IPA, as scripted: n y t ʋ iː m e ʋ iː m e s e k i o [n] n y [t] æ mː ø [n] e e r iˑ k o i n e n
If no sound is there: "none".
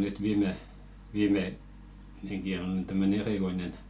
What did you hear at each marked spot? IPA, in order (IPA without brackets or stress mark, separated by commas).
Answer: n, t, n